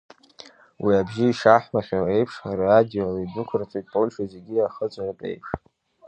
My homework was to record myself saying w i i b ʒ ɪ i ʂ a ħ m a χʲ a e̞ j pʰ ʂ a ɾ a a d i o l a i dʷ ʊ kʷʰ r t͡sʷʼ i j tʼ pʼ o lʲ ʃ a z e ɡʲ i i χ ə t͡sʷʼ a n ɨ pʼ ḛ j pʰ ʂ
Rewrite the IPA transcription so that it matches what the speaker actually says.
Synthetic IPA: w i a b ʒ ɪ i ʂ a ħ m a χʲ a e̞ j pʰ ʂ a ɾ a a d i o l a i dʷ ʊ kʷʰ r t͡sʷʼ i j tʼ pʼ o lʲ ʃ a z e ɡʲ i a χ ə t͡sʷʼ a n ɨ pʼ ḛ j pʰ ʂ